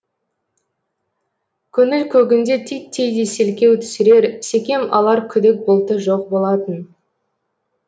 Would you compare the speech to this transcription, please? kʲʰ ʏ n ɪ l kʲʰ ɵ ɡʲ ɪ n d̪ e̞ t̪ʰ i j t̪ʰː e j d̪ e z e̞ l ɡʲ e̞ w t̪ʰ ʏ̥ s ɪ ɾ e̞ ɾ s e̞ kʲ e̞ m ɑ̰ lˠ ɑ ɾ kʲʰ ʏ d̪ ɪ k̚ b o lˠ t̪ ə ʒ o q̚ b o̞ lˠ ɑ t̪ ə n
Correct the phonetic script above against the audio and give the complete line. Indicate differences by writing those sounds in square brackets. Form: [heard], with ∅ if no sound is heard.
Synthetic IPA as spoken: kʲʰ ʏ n ɪ l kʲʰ ɵ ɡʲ ɪ n d̪ e̞ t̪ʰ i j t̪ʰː e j d̪ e [s] e̞ l [kʲ] e̞ w t̪ʰ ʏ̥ s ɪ ɾ e̞ ɾ s e̞ kʲ e̞ m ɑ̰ lˠ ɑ ɾ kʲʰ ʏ d̪ ɪ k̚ b o lˠ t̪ ə ʒ o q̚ b o̞ lˠ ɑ t̪ ə n